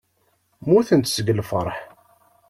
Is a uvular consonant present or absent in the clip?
absent